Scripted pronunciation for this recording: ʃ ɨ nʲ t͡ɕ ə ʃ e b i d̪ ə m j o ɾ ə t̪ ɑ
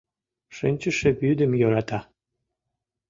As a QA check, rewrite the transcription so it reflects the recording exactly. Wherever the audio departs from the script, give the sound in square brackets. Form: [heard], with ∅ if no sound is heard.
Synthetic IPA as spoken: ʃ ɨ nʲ t͡ɕ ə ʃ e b [y] d̪ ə m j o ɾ [ɑ] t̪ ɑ